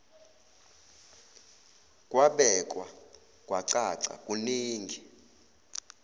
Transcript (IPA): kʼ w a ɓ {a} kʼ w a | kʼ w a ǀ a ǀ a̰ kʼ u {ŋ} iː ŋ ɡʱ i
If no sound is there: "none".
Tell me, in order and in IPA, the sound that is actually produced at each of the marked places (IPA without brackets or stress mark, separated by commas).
ɛ, n